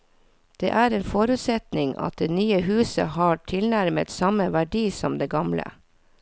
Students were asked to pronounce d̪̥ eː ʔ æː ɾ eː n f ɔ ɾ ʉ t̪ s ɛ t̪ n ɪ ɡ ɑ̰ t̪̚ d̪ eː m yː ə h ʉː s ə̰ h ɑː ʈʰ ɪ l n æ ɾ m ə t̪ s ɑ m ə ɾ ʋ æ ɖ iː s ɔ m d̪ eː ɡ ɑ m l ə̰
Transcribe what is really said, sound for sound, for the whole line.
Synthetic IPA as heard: d̪̥ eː ʔ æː ɾ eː n f ɔ ɾ ʉ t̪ s ɛ t̪ n ɪ ŋ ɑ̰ t̪̚ d̪ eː n yː ə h ʉː s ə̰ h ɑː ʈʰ ɪ l n æ ɾ m ə t̪ s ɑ m ə ʋ æ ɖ iː s ɔ m d̪ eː ɡ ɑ m l ə̰